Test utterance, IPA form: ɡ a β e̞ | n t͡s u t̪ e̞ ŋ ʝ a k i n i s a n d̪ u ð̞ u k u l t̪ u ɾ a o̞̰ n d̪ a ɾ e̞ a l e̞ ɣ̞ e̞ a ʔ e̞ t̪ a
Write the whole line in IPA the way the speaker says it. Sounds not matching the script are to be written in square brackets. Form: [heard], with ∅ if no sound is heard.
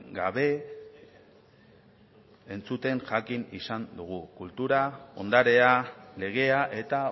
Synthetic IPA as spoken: ɡ a β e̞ | n t͡s u t̪ e̞ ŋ ʝ a k i n i s a n d̪ u [ɣ̞] u k u l t̪ u ɾ a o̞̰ n d̪ a ɾ e̞ a l e̞ ɣ̞ e̞ a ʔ e̞ t̪ a